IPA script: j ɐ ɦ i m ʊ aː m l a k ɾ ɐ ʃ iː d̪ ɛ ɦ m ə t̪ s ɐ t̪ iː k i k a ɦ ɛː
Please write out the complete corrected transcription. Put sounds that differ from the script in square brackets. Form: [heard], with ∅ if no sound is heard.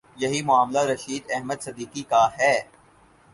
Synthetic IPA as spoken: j ɐ ɦ i m ʊ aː m l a [∅] ɾ ɐ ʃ iː d̪ ɛ ɦ m ə [d̪] s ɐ [d̪] iː k i k a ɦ ɛː